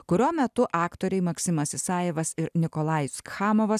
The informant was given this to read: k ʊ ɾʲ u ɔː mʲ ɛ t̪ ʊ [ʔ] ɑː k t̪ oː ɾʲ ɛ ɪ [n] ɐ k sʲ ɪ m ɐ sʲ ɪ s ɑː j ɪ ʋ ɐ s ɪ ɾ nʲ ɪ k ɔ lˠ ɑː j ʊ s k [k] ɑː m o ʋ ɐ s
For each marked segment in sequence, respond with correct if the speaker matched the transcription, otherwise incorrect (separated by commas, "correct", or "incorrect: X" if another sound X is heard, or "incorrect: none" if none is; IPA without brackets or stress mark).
correct, incorrect: m, incorrect: x